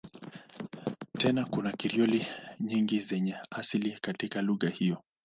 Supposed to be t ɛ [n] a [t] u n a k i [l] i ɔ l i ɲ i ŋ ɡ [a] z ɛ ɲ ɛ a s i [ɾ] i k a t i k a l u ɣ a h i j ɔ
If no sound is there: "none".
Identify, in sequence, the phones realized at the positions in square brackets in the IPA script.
n, k, ɾ, i, l

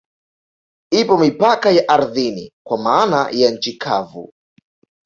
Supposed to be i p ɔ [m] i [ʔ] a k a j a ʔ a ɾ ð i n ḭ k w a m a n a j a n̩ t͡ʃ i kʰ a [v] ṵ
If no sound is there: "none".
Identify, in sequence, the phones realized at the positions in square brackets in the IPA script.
m, p, v

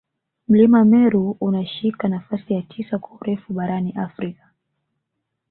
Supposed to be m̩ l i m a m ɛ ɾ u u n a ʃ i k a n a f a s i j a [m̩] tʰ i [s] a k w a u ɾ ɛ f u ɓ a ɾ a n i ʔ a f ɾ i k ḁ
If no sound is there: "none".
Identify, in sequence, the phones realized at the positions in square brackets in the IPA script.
none, s

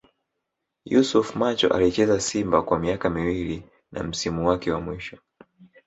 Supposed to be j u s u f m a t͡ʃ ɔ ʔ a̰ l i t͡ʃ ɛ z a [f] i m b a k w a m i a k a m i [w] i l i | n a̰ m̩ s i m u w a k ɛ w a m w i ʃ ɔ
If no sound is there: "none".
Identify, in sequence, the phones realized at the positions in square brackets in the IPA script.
s, w

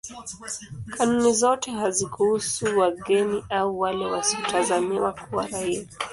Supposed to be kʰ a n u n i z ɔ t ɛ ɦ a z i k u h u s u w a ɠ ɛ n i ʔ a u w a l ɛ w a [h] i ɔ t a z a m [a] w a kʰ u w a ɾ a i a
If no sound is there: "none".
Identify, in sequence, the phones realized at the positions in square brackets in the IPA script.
s, i

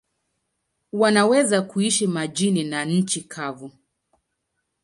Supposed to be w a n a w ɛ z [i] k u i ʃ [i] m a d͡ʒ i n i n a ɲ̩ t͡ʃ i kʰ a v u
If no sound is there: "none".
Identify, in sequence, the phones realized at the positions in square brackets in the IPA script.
a, i

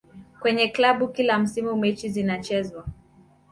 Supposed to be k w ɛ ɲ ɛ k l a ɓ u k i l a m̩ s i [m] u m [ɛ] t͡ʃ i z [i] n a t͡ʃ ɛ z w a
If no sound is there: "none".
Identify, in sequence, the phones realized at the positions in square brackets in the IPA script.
m, ɛ, i

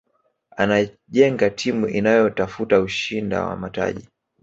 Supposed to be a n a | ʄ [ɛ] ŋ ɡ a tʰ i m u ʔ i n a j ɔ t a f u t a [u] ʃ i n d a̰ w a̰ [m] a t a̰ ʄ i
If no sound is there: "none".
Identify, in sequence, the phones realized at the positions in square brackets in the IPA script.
ɛ, u, m

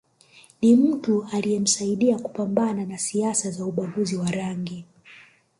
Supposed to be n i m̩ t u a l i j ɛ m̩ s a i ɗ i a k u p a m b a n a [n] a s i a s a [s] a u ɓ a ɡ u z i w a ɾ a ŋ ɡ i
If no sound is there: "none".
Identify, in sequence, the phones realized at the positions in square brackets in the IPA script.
n, z

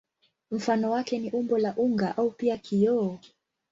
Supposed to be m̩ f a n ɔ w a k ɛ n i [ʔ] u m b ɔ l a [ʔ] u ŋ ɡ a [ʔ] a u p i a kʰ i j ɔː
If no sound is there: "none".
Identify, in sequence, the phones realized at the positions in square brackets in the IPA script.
ʔ, ʔ, ʔ

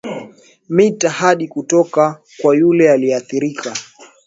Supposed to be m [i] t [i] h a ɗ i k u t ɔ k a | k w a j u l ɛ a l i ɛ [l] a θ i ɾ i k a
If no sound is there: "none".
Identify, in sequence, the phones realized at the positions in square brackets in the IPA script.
i, a, none

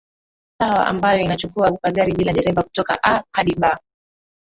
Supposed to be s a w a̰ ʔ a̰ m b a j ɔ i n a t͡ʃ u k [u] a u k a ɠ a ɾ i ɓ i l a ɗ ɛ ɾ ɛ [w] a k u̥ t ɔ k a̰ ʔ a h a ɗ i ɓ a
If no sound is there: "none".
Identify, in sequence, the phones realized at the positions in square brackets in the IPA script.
u, v

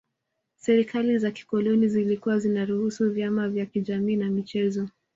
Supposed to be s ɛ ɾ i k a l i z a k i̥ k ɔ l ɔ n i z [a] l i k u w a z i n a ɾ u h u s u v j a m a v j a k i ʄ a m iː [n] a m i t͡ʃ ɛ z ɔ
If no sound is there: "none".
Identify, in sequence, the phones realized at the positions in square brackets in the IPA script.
i, n

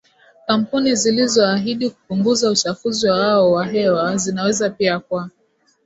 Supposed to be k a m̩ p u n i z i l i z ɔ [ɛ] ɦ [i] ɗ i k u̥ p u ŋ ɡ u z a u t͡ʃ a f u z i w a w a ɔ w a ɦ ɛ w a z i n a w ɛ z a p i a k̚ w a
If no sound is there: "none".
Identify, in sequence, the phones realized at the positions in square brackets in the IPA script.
a, i

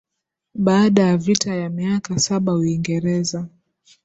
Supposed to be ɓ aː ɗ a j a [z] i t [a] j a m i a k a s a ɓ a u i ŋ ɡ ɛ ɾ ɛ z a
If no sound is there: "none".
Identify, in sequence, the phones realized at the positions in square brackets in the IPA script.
v, a

